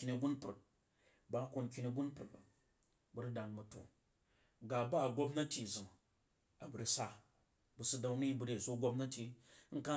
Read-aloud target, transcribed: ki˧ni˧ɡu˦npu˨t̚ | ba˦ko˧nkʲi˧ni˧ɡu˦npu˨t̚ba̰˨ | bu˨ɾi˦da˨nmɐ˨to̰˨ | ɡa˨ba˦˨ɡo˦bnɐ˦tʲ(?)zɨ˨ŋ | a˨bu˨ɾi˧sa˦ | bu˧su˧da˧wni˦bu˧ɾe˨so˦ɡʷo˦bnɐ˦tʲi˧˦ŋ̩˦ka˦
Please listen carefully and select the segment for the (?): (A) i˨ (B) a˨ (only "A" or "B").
A